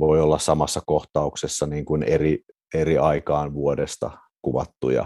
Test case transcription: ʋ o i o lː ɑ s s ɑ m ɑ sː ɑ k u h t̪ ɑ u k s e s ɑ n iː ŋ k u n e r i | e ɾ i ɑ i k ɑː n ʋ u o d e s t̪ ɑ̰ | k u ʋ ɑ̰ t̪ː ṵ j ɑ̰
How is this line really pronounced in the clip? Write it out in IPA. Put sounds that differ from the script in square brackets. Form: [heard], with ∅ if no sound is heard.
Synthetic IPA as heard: ʋ o i o lː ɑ s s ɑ m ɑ sː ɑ k [o] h t̪ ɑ u k s e [sː] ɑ n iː ŋ k u n e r i | e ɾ i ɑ i k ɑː n ʋ u o d e s t̪ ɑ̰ | k u ʋ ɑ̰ t̪ː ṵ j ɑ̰